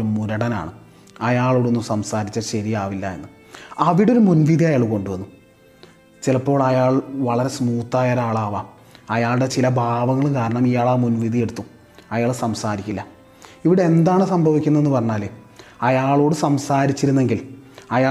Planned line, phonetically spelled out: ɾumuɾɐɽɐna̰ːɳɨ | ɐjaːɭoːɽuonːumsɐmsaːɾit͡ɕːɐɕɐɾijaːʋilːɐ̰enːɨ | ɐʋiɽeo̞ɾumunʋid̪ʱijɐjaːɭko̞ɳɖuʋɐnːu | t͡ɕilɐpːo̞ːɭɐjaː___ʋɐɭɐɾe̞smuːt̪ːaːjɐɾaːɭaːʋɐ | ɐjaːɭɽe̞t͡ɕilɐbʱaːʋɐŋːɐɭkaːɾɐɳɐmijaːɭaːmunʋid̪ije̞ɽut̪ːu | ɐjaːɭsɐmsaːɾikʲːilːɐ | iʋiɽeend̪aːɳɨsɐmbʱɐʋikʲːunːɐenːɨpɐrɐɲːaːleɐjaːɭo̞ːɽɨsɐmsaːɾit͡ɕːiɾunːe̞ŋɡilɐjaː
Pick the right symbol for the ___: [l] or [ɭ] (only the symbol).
ɭ